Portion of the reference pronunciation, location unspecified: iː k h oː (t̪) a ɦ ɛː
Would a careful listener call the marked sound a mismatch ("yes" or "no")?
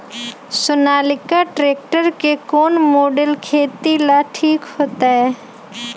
no